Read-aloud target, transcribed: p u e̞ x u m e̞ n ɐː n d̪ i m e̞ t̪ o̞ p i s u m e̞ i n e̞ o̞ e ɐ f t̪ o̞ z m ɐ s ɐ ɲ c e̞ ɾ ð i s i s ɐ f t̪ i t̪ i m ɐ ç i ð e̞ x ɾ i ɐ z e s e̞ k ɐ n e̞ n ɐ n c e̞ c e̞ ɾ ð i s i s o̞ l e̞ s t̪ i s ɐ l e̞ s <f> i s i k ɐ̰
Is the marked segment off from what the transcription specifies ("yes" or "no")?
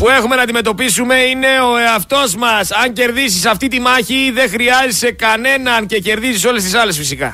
no